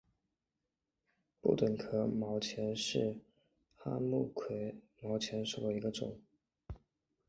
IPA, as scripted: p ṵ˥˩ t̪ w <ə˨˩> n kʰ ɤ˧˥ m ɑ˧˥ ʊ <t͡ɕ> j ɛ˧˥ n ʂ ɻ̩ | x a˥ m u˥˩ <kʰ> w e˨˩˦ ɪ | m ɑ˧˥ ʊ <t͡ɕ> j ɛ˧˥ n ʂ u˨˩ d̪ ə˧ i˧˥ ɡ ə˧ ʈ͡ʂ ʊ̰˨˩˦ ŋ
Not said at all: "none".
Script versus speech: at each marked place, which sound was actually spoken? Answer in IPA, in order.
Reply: ə˨˩, t͡ɕʰ, kʰ, t͡ɕʰ

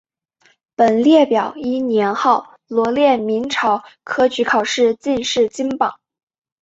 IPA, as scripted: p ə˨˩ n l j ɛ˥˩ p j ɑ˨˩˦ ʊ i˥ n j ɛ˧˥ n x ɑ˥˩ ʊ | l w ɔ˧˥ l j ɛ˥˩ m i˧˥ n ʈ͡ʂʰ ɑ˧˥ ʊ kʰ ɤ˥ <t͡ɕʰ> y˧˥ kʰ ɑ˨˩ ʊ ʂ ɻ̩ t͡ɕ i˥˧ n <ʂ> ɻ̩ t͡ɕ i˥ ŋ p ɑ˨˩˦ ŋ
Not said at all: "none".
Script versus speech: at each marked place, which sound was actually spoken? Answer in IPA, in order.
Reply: t͡ɕ, ʂ

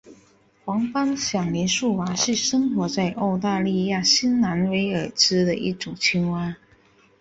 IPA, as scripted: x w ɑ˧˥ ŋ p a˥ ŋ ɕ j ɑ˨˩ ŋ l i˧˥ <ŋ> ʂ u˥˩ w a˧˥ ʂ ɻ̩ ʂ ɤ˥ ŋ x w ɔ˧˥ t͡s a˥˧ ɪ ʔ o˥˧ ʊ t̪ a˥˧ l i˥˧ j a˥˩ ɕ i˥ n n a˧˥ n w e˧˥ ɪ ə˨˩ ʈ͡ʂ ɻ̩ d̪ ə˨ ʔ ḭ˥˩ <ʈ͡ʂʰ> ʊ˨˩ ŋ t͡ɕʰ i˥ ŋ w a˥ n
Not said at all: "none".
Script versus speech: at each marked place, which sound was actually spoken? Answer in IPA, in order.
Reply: n, ʈ͡ʂ

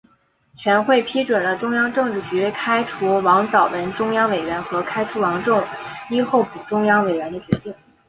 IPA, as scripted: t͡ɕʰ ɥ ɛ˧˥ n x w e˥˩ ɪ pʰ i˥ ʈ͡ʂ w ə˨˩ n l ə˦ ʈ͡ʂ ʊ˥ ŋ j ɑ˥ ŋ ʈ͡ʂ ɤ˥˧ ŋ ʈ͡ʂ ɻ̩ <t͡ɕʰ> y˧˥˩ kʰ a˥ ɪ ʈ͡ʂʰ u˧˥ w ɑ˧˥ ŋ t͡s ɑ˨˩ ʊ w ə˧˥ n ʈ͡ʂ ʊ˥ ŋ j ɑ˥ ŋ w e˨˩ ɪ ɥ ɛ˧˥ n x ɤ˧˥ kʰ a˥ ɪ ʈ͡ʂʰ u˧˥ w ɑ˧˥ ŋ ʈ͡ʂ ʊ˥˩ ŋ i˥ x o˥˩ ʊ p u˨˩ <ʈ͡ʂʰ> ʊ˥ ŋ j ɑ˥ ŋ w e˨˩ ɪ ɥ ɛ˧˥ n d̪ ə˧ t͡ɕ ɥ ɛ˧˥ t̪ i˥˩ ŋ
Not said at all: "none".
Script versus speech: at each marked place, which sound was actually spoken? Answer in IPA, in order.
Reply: t͡ɕ, ʈ͡ʂ

